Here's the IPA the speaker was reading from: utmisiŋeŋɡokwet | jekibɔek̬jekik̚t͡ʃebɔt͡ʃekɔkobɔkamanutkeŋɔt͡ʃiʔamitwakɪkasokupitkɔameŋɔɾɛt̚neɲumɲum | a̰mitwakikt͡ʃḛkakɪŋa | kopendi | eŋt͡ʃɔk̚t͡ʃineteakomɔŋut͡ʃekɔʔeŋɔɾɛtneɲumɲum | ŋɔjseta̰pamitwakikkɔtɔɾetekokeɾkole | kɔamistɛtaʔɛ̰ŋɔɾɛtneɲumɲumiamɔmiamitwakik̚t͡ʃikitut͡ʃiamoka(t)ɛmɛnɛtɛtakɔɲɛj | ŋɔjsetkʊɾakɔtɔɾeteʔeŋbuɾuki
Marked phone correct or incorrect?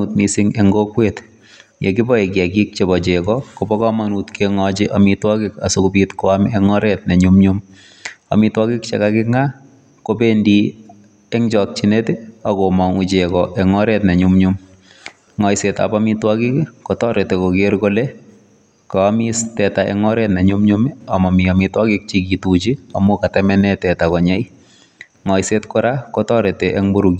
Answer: correct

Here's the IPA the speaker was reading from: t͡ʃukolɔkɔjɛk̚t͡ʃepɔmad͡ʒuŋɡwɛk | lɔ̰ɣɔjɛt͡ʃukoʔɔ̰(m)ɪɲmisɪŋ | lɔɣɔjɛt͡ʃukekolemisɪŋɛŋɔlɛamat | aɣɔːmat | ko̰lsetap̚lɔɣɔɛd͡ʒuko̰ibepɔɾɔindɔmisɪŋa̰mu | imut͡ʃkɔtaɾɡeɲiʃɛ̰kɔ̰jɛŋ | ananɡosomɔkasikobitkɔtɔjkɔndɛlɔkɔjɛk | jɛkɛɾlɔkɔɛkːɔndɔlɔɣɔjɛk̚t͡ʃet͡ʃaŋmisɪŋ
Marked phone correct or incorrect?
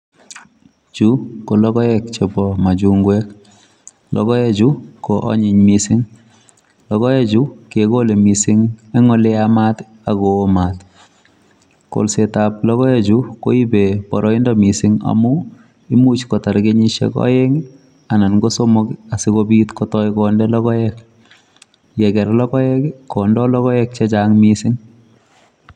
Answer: incorrect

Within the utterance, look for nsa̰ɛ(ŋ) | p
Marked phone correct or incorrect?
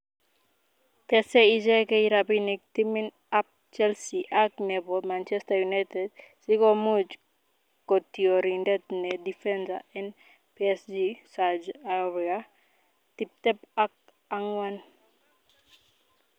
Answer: incorrect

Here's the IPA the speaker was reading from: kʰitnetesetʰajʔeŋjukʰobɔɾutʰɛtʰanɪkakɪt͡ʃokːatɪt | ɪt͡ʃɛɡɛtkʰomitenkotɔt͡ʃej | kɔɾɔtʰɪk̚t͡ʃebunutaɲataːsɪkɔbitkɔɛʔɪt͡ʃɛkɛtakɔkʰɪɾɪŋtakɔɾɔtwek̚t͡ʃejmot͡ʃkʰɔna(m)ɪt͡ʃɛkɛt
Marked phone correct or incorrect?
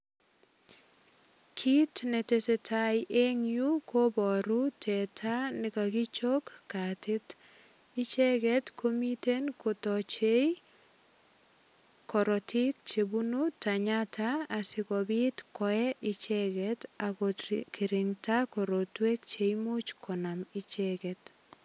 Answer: correct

